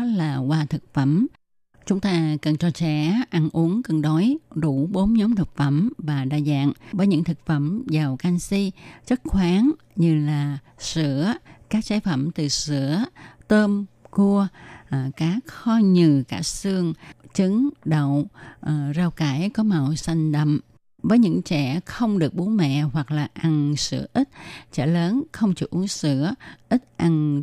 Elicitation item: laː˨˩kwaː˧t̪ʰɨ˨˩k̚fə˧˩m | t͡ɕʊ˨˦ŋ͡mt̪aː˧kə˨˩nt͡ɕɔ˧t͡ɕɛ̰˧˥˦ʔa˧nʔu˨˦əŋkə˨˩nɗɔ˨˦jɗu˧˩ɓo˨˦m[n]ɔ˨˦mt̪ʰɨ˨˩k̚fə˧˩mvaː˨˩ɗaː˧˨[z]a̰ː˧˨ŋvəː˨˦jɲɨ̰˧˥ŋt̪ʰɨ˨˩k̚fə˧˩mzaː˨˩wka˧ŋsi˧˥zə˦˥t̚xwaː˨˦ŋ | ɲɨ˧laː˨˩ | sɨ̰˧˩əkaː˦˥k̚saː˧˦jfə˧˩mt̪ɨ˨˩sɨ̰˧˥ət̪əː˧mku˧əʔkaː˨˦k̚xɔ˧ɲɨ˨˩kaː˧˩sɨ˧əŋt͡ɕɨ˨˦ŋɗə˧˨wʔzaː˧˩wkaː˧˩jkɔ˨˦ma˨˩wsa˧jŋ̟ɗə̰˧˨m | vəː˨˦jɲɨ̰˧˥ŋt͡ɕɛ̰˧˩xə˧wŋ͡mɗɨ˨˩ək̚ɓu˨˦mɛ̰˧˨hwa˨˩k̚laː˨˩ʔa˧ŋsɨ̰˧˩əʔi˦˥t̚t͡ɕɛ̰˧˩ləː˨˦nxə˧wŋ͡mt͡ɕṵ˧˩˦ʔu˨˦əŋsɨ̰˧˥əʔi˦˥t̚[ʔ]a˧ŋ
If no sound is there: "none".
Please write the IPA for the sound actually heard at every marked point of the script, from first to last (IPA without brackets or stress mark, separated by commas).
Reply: ɲ, z, ʔ